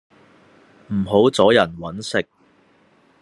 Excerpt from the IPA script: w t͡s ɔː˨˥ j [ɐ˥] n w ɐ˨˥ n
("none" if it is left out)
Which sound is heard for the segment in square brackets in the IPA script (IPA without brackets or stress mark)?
ɐ˨˩